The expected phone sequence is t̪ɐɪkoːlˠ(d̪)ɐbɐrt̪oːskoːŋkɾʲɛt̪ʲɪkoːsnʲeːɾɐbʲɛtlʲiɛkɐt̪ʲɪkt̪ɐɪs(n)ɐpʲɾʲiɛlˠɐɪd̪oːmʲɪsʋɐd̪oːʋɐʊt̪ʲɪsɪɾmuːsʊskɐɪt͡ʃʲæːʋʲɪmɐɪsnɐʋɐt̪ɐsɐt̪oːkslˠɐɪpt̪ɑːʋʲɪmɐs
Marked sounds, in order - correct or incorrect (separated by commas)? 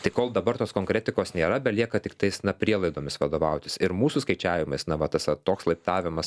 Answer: correct, correct